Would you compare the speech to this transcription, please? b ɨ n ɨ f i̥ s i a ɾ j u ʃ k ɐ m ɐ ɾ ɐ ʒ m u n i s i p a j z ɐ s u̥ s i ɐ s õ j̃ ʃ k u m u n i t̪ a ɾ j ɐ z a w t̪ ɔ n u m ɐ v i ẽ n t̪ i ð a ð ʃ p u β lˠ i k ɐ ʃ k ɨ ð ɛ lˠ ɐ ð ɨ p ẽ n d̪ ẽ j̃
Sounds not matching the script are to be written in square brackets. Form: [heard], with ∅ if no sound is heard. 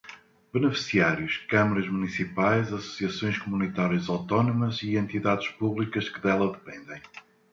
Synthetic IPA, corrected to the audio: b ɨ n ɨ f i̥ s i a ɾ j u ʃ k ɐ m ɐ ɾ ɐ ʒ m u n i s i p a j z ɐ s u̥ s i ɐ s õ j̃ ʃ k u m u n i t̪ a ɾ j ɐ z a w t̪ ɔ n u m ɐ [z] i ẽ n t̪ i ð a ð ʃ p u β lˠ i k ɐ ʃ k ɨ ð ɛ lˠ ɐ ð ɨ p ẽ n d̪ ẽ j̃